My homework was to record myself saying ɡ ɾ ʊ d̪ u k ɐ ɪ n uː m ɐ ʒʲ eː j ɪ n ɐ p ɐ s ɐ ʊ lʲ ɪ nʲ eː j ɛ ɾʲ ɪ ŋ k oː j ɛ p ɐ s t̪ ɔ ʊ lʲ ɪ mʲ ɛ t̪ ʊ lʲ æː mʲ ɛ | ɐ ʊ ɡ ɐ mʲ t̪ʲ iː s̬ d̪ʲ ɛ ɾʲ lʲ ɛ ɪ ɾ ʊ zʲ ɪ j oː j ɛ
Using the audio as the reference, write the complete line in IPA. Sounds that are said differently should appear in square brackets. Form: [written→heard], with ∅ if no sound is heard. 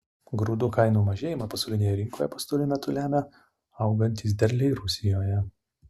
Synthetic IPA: ɡ ɾ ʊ d̪ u k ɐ ɪ n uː m ɐ ʒʲ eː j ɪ [n→m] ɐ p ɐ s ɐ ʊ lʲ ɪ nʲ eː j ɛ ɾʲ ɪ ŋ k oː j ɛ p ɐ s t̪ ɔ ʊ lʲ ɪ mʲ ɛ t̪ ʊ lʲ æː mʲ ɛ | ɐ ʊ ɡ ɐ [mʲ→nʲ] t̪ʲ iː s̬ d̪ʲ ɛ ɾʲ lʲ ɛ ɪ ɾ ʊ [zʲ→sʲ] ɪ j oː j ɛ